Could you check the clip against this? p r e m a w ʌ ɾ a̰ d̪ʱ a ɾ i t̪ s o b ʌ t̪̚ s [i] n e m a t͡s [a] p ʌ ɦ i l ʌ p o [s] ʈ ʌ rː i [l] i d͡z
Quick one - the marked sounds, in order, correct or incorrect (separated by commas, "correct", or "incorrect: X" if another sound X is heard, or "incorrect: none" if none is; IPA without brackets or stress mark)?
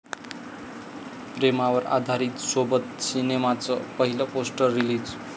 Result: correct, incorrect: ʌ, correct, correct